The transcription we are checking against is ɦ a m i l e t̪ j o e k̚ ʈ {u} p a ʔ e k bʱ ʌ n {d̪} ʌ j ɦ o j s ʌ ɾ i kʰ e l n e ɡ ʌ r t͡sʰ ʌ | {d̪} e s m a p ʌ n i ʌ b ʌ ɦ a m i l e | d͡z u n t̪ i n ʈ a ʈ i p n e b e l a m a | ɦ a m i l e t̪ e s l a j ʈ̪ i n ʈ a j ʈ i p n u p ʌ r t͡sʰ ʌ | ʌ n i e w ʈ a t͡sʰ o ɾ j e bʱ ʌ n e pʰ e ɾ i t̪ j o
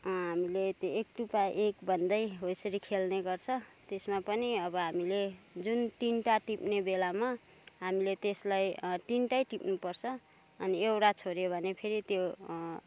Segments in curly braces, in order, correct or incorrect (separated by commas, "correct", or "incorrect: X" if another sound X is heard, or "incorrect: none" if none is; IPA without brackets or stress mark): correct, correct, incorrect: t̪